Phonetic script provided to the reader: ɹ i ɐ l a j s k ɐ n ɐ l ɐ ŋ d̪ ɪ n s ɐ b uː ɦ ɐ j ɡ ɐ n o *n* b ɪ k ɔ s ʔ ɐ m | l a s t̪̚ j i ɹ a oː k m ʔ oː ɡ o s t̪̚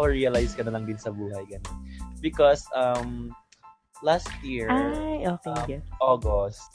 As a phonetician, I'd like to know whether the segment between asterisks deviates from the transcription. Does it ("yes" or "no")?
no